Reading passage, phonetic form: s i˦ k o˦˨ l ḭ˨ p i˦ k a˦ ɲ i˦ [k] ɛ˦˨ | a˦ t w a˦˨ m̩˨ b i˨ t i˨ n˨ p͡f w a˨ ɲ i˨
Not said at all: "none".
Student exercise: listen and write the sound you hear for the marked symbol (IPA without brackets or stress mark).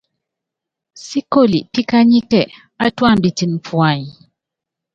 k